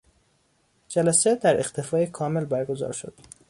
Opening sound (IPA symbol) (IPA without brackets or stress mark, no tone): d͡ʒ